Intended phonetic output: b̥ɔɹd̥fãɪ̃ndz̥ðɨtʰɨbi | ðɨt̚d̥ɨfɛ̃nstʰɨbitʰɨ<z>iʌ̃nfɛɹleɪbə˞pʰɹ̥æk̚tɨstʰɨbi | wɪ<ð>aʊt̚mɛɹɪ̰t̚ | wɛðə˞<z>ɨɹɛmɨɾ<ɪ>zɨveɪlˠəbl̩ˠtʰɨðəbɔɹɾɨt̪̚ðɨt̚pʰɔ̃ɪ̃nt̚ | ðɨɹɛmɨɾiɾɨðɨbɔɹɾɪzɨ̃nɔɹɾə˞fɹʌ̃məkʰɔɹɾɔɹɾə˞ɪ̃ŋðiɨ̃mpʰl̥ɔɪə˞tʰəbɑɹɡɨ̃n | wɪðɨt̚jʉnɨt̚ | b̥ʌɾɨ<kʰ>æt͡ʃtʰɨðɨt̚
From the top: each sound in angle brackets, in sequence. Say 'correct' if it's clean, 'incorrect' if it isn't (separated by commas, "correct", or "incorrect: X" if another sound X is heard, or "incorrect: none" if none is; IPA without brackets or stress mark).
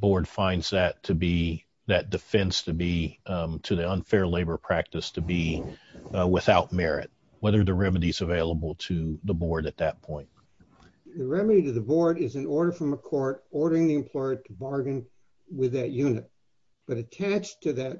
incorrect: ð, incorrect: θ, incorrect: ð, incorrect: i, incorrect: tʰ